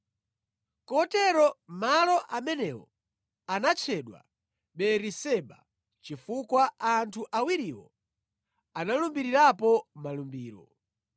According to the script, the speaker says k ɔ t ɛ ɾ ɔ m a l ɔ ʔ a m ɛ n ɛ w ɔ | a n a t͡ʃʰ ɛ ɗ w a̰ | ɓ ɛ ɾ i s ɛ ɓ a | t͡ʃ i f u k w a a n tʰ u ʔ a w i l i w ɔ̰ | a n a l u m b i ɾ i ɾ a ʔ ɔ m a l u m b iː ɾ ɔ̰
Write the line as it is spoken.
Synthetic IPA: k ɔ t ɛ ɾ ɔ m a l ɔ ʔ a m ɛ n ɛ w ɔ | a n a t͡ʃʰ ɛ ɗ w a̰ | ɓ ɛ ɾ i s ɛ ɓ a | t͡ʃ i f u k w a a n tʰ u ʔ a w i ɾ i w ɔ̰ | a n a l u m b i ɾ i ɾ a p ɔ m a l u m b iː ɾ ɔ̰

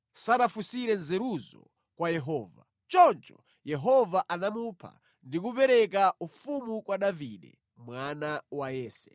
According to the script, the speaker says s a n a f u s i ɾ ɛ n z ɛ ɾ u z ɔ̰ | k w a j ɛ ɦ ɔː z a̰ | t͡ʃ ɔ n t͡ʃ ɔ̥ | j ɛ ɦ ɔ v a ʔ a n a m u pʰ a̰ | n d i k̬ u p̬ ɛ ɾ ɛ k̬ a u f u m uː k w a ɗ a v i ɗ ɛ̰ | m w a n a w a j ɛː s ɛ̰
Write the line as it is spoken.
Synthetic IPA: s a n a f u s i ɾ ɛ n z ɛ ɾ u z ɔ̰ | k w a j ɛ ɦ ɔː v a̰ | t͡ʃ ɔ n t͡ʃ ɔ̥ | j ɛ ɦ ɔ v a ʔ a n a m u pʰ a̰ | n d i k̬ u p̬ ɛ ɾ ɛ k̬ a u f u m u k w a ɗ a v i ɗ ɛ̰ | m w a n a w a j ɛː s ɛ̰

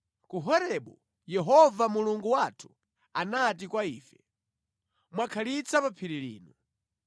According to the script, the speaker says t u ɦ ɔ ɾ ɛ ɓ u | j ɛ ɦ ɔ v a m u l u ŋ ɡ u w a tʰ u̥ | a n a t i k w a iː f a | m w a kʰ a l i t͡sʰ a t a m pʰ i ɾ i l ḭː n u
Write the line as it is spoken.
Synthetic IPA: k u ɦ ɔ ɾ ɛ ɓ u | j ɛ ɦ ɔ v a m u l u ŋ ɡ u w a tʰ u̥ | a n a t i k w a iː f ɛ | m w a kʰ a l i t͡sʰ a p a pʰ i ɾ i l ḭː n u

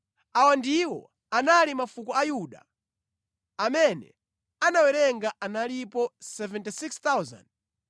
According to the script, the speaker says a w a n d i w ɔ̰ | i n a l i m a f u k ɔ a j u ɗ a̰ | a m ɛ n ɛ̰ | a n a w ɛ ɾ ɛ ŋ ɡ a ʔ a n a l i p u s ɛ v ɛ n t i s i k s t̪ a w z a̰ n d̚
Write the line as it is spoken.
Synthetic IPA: a w a n d i w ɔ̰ | a n a l i m a f u k ɔ a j u ɗ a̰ | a m ɛ n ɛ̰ | a n a w ɛ ɾ ɛ ŋ ɡ a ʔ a n a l i p ɔ s ɛ v ɛ n t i s i k s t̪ a w z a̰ n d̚

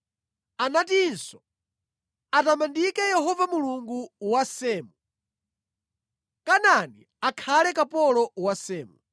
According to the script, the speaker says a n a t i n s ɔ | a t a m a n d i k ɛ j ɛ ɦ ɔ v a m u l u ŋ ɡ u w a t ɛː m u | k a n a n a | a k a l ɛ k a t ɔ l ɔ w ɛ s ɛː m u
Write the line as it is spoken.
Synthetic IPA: a n a t i n s ɔ | a t a m a n d i k ɛ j ɛ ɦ ɔ v a m u l u ŋ ɡ u w a s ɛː m u | k a n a n i | a kʰ a l ɛ k a p ɔ l ɔ w a s ɛː m u

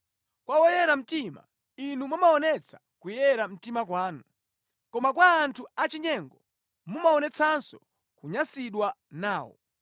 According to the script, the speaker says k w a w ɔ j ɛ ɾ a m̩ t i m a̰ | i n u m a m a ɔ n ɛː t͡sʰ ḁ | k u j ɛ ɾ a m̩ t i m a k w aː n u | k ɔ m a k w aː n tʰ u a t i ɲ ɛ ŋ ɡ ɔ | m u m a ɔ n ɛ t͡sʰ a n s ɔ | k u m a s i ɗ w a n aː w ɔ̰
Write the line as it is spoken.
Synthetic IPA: k w a w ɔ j ɛ ɾ a m̩ t i m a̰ | i n u m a m a ɔ n ɛ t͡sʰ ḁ | k u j ɛ ɾ a m̩ t i m a k w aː n u | k ɔ m a k w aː n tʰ u a t͡ʃ i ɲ ɛ ŋ ɡ ɔ | m u m a ɔ n ɛ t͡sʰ a n s ɔ | k u ɲ a s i ɗ w a n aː w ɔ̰

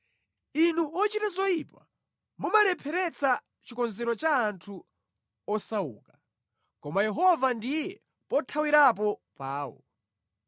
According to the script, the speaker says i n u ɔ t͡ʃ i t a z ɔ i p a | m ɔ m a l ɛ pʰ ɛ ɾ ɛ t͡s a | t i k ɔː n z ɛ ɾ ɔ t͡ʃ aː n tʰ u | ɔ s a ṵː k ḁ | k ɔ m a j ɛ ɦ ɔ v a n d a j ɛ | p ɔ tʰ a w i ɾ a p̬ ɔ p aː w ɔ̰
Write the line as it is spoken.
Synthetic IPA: i n u ɔ t͡ʃ i t a z ɔ i p a | m u m a l ɛ pʰ ɛ ɾ ɛ t͡s a | t͡ʃ i k ɔ n z ɛ ɾ ɔ t͡ʃ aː n tʰ u | ɔ s a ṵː k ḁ | k ɔ m a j ɛ ɦ ɔ v a n d i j ɛ | p ɔ tʰ a w i ɾ a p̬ ɔ p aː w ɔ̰

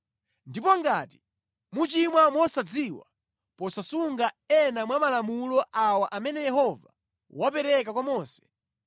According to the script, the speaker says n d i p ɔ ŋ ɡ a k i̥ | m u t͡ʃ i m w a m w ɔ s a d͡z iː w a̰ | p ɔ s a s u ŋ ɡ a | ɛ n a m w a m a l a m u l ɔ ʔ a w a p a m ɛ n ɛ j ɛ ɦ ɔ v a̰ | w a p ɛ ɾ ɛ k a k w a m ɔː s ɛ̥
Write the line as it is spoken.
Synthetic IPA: n d i p ɔ ŋ ɡ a t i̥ | m u t͡ʃ i m w a m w ɔ s a d͡z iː w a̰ | p ɔ s a s u ŋ ɡ a | ɛ n a m w a m a l a m u l ɔ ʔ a w a ʔ a m ɛ n ɛ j ɛ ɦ ɔ v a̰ | w a p ɛ ɾ ɛ k a k w a m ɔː s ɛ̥

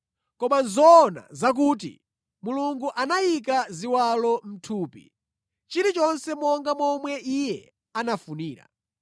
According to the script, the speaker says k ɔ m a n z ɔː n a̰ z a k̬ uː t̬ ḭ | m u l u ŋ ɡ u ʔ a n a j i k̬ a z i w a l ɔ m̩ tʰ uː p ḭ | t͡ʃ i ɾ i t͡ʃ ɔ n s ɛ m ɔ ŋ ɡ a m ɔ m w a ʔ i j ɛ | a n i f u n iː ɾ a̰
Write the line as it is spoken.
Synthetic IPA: k ɔ m a n z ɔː n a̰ z a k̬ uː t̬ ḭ | m u l u ŋ ɡ u ʔ a n a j i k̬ a z i w a l ɔ m̩ tʰ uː p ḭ | t͡ʃ i ɾ i t͡ʃ ɔ n s ɛ m ɔ ŋ ɡ a m ɔ m w ɛ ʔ i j ɛ | a n a f u n iː ɾ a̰

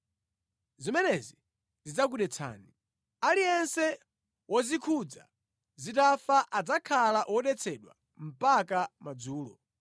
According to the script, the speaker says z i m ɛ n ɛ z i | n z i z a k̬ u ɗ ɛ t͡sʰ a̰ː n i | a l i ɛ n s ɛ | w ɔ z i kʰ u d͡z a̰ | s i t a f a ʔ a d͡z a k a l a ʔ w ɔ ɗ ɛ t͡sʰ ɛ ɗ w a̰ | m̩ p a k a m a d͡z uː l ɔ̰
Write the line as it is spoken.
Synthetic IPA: z i m ɛ n ɛ z i | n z i d͡z a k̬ u ɗ ɛ t͡sʰ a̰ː n i | a l i ɛ n s ɛ | w ɔ z i kʰ u d͡z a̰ | z i t a f a ʔ a d͡z a kʰ a l a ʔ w ɔ ɗ ɛ t͡sʰ ɛ ɗ w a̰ | m̩ p a k a m a d͡z uː l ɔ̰

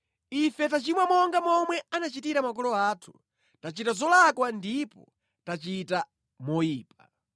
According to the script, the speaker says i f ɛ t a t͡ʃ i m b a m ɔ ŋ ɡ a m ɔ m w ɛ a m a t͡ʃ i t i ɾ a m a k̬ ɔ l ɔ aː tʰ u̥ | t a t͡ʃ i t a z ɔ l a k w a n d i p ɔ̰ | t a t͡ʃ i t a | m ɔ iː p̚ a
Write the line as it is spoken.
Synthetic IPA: i f ɛ t a t͡ʃ i m w a m ɔ ŋ ɡ a m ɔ m w ɛ a n a t͡ʃ i t i ɾ a m a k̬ ɔ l ɔ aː tʰ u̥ | t a t͡ʃ i t a z ɔ l a k w a n d i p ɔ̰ | t a t͡ʃ i t a | m ɔ iː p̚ a

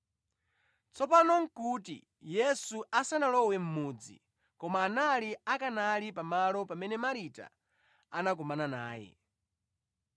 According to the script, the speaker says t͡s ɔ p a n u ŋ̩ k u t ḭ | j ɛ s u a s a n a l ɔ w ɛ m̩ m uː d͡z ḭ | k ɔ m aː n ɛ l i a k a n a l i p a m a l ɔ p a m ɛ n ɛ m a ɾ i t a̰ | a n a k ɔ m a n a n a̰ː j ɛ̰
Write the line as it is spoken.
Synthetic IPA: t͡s ɔ p a n ɔ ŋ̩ k u t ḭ | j ɛ s u a s a n a l ɔ w ɛ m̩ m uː d͡z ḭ | k ɔ m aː n a l i a k a n a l i p a m a l ɔ p a m ɛ n ɛ m a ɾ i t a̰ | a n a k ɔ m a n a n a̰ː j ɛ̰

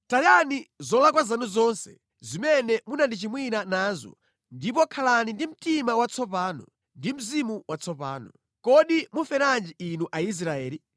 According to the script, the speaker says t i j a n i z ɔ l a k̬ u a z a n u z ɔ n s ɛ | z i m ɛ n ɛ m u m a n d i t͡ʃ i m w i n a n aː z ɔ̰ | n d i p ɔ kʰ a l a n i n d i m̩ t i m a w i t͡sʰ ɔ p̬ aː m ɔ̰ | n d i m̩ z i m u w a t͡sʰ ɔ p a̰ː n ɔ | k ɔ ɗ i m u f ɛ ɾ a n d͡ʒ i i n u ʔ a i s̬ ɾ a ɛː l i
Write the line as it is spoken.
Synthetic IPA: t a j a n i z ɔ l a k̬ w a z a n u z ɔ n s ɛ | z i m ɛ n ɛ m u n a n d i t͡ʃ i m w i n a n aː z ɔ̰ | n d i p ɔ kʰ a l a n i n d i m̩ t i m a w a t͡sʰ ɔ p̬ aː n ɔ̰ | n d i m̩ z i m u w a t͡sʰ ɔ p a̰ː n ɔ | k ɔ ɗ i m u f ɛ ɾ a n d͡ʒ i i n u ʔ a i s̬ ɾ a ɛː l i

